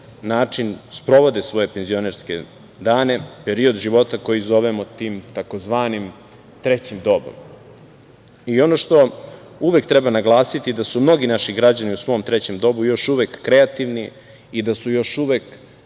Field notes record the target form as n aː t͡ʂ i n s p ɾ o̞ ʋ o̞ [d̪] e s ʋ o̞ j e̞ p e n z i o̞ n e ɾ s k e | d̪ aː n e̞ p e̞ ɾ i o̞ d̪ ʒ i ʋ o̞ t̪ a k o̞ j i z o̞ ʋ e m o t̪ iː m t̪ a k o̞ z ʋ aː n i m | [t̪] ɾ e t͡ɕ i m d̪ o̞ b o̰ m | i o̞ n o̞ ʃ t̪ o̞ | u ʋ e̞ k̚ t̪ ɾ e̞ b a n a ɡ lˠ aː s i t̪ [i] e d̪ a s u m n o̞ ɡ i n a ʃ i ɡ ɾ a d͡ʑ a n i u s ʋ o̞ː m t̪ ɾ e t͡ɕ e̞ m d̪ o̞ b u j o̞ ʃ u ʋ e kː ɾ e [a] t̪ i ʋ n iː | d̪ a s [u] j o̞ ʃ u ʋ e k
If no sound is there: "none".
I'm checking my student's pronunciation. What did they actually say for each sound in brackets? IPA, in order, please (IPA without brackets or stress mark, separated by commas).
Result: d̪, t̪, i, a, u